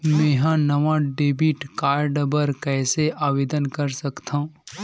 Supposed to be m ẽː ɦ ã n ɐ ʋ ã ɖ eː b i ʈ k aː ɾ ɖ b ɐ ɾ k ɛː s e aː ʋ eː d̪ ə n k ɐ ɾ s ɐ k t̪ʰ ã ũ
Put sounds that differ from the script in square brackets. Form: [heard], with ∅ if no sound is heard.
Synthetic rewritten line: m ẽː ɦ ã n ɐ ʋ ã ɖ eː b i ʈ k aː ɾ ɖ b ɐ ɾ k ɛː s e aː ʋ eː d̪ ə n k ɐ ɾ s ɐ k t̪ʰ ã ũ